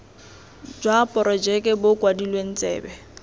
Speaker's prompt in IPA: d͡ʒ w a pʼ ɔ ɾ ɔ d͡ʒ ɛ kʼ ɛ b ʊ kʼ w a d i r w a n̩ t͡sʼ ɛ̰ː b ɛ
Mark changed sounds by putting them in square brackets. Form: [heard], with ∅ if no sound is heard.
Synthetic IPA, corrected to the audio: d͡ʒ w a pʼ ɔ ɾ ɔ d͡ʒ ɛ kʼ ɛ b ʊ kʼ w a d i [l] w [e] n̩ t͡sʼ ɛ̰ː b ɛ